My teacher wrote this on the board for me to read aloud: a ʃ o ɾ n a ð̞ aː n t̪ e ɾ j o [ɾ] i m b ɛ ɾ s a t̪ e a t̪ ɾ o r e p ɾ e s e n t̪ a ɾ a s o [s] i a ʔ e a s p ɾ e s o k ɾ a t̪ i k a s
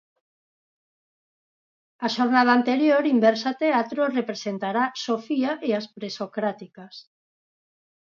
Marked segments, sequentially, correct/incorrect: correct, incorrect

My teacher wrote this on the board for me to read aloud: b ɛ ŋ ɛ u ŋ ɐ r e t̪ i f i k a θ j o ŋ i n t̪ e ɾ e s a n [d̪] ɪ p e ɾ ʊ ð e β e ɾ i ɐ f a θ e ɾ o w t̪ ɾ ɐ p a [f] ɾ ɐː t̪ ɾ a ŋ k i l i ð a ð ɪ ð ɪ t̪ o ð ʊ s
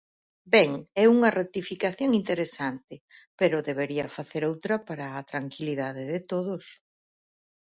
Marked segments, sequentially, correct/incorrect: incorrect, incorrect

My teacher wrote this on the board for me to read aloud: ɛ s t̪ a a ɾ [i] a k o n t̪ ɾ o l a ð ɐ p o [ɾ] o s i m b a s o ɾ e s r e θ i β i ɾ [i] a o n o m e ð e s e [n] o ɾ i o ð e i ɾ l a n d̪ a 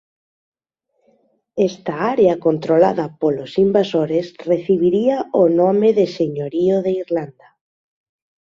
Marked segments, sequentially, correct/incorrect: incorrect, incorrect, correct, incorrect

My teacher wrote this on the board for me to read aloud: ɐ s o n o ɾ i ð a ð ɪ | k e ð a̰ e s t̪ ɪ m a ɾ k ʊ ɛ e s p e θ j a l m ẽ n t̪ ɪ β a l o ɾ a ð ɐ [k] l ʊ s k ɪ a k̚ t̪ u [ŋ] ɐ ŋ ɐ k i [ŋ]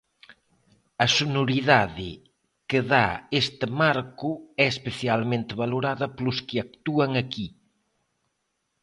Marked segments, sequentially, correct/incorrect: incorrect, incorrect, incorrect

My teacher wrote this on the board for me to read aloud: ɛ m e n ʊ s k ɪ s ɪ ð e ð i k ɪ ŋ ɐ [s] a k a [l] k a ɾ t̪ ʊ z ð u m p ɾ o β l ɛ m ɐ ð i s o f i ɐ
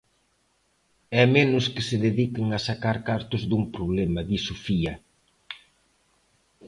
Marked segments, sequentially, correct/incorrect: correct, incorrect

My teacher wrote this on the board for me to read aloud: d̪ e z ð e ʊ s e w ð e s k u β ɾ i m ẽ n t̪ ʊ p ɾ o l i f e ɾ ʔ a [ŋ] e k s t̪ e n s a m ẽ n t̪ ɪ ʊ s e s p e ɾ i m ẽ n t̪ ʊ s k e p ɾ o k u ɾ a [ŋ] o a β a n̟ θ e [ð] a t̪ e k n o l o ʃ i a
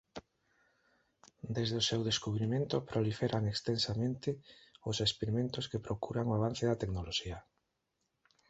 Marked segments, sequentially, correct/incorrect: correct, correct, correct

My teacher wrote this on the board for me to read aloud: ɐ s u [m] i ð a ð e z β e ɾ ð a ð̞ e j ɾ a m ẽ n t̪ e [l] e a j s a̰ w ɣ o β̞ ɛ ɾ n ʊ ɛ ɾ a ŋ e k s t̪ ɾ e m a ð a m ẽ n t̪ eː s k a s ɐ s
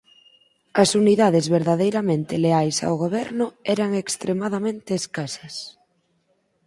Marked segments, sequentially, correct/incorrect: incorrect, correct

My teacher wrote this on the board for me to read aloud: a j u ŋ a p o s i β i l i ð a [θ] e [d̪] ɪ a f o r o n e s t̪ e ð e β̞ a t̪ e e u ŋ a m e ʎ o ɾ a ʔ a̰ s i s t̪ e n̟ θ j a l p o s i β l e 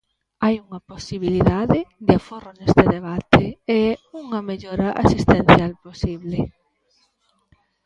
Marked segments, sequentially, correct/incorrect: incorrect, correct

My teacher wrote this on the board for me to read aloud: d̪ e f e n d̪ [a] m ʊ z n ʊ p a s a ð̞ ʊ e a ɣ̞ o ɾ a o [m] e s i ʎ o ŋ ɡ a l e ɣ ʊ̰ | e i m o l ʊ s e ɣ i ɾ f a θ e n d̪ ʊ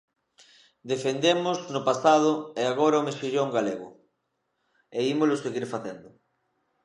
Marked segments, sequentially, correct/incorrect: incorrect, correct

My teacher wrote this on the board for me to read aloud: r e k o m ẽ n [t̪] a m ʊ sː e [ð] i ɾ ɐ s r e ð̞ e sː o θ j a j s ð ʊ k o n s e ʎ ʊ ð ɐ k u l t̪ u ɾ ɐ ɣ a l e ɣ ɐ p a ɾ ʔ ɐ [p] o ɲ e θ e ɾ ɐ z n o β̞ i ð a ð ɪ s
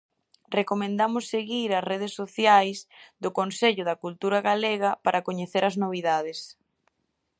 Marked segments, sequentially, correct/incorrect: incorrect, incorrect, incorrect

